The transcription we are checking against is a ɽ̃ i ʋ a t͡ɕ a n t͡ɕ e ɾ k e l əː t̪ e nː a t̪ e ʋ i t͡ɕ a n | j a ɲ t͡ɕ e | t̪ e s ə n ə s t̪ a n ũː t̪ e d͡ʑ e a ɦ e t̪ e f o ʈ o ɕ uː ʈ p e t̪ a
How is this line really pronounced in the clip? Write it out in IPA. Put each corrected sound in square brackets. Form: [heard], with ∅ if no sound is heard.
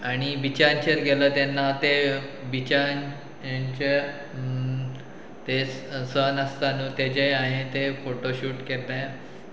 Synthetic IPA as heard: a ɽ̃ i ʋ [i] t͡ɕ a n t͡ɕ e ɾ [ɡ] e l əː t̪ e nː a t̪ e ʋ i t͡ɕ a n | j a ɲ t͡ɕ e | t̪ e s ə n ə s t̪ a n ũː t̪ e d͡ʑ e a ɦ e t̪ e f o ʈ o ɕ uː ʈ [k] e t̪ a

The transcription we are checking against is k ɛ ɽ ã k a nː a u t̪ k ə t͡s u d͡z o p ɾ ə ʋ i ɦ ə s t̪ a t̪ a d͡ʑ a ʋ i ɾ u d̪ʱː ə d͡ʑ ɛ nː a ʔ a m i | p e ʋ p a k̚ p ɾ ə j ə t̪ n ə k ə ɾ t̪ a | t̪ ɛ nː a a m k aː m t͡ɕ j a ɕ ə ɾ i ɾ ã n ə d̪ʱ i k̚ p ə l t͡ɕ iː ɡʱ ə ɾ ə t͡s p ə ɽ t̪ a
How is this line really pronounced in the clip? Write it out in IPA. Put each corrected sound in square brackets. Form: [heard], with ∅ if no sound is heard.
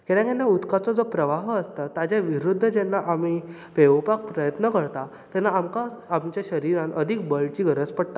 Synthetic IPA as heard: k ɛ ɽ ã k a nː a u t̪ k [a] t͡s [ɔ] d͡z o p ɾ ə ʋ [a] ɦ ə s t̪ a t̪ a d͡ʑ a ʋ i ɾ u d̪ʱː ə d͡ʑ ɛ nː a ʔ a m i | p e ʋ p a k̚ p ɾ ə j ə t̪ n ə k ə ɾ t̪ a | t̪ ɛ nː a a m k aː m t͡ɕ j a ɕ ə ɾ i ɾ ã n ə d̪ʱ i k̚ [b] ə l t͡ɕ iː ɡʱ ə ɾ ə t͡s p ə ɽ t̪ a

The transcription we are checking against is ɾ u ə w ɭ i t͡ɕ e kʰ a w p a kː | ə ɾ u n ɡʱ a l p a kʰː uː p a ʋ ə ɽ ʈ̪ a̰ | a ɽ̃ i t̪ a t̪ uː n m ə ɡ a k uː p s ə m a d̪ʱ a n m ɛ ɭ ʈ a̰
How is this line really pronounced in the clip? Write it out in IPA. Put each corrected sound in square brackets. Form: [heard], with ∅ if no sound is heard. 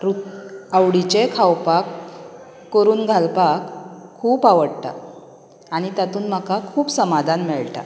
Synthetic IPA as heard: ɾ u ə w [ɽ] i t͡ɕ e kʰ a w p a kː | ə ɾ [uː] n ɡʱ a l p a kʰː uː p a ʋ ə ɽ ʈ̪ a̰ | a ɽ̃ i t̪ a t̪ uː n m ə [k] a [kʰ] uː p s ə m a d̪ʱ a n m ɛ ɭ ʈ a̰

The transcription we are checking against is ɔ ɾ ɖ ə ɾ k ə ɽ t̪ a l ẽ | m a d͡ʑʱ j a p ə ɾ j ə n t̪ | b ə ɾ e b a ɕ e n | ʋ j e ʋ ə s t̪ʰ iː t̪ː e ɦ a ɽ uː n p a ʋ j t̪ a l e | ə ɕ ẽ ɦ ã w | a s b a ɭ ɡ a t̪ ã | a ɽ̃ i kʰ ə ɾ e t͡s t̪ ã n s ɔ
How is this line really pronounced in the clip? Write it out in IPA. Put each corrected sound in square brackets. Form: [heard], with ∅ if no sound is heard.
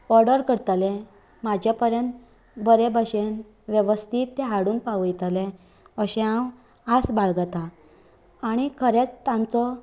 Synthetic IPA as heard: ɔ ɾ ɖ ə ɾ k ə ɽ t̪ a l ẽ | m a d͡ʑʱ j a p ə ɾ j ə n t̪ | b ə ɾ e b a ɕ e n | ʋ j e ʋ ə s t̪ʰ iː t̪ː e ɦ a ɽ uː n p a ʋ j t̪ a l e | ə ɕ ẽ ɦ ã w | a s b a ɭ ɡ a t̪ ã | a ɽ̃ i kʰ ə ɾ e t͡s t̪ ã n [t͡s] ɔ

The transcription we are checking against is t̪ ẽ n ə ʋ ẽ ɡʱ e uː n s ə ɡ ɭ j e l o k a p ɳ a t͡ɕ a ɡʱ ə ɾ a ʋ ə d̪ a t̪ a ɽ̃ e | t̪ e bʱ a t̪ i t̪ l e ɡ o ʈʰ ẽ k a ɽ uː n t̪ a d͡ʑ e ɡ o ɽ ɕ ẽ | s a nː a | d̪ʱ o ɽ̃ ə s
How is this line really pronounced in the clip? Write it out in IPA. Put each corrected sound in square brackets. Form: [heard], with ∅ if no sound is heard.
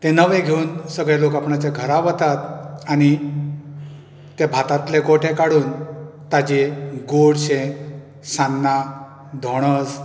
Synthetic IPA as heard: t̪ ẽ n ə ʋ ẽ ɡʱ e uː n s ə ɡ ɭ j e l o k a p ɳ a t͡ɕ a ɡʱ ə ɾ a ʋ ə [t̪] a t̪ a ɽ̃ [i] | t̪ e bʱ a t̪ [a] t̪ l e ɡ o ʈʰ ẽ k a ɽ uː n t̪ a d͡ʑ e ɡ o ɽ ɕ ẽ | s a nː a | d̪ʱ o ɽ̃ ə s

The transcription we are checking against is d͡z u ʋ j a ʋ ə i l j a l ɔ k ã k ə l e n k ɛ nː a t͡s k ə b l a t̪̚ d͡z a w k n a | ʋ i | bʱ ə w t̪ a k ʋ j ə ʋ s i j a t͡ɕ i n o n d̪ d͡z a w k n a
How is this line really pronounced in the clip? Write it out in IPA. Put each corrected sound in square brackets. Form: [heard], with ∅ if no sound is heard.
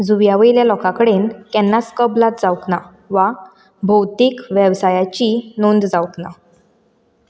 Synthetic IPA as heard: d͡z u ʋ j a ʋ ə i l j a l ɔ k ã k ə [ɽ] e n k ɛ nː a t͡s k ə b l a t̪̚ d͡z a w k n a | ʋ [a] | bʱ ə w t̪ [i] k ʋ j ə ʋ s [a] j a t͡ɕ i n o n d̪ d͡z a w k n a

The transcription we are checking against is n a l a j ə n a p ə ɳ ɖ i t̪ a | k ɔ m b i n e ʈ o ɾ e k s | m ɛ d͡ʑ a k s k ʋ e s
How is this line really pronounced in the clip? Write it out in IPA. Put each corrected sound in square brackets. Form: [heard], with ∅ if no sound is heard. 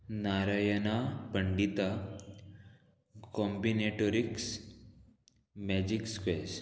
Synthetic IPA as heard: n a [ɾ] a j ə n a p ə ɳ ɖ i t̪ a | k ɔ m b i n e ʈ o ɾ [i] k s | m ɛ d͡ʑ [i] k s k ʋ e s

